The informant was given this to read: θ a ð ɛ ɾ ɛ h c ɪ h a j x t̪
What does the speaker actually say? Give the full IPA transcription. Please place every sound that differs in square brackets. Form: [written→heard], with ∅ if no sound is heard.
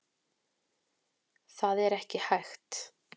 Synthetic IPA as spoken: θ a ð ɛ ɾ ɛ h c ɪ h a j x t̪